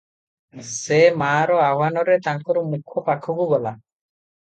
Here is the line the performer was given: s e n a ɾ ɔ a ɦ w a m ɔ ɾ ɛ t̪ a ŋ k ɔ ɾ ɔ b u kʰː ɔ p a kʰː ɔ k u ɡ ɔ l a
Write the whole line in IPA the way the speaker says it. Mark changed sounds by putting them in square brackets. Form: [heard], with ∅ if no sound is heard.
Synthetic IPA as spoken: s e [m] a ɾ ɔ a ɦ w a [n] ɔ ɾ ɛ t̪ a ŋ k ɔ ɾ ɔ [m] u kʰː ɔ p a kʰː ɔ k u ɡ ɔ l a